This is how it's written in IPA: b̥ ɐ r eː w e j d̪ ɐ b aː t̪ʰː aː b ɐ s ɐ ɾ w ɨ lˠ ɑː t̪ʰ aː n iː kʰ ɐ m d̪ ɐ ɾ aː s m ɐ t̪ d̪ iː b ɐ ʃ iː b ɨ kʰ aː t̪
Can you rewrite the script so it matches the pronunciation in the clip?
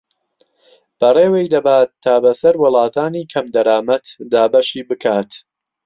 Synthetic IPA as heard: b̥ ɐ r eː w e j d̪ ɐ b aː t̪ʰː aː b ɐ s ɐ ɾ w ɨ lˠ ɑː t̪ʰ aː n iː kʰ ɐ m d̪ ɐ ɾ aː m ɐ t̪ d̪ aː b ɐ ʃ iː b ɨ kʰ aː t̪